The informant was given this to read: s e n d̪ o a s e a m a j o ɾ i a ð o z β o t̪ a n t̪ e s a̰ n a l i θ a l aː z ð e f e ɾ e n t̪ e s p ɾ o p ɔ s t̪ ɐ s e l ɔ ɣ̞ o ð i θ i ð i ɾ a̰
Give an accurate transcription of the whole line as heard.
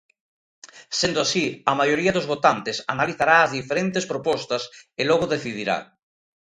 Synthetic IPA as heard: s e n d̪ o a s i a m a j o ɾ i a ð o z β o t̪ a n t̪ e s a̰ n a l i θ a ɾ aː z ð i f e ɾ e n t̪ e s p ɾ o p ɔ s t̪ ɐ s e l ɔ ɣ̞ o ð e θ i ð i ɾ a̰